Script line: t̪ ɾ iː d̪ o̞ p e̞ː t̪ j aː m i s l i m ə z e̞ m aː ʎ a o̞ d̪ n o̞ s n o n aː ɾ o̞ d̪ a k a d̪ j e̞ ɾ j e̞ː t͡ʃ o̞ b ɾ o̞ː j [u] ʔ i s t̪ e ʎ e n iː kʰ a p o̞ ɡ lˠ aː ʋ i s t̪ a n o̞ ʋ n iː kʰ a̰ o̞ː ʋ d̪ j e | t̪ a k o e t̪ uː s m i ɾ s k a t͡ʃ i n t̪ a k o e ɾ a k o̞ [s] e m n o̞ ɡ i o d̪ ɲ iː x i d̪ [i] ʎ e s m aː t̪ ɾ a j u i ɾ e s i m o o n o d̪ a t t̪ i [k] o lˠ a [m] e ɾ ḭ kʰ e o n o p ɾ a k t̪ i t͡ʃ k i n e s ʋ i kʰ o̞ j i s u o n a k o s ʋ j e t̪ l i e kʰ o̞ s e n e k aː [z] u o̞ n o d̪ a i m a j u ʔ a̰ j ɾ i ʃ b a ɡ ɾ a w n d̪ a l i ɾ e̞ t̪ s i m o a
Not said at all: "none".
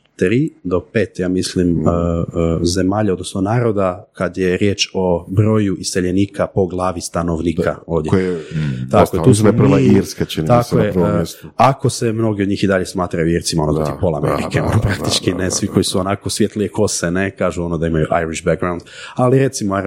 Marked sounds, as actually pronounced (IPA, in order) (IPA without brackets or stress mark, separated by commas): u, s, a, p, m, ʒ